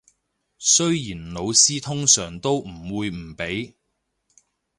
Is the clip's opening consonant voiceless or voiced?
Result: voiceless